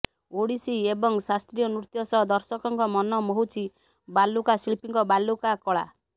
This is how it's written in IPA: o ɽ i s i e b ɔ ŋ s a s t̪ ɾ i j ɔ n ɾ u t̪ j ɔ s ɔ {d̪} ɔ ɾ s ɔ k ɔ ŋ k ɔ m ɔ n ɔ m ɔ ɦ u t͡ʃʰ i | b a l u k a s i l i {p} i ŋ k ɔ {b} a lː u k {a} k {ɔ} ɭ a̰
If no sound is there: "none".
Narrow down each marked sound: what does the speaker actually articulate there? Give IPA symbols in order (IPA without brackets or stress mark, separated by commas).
d̪, p, b, a, ɔ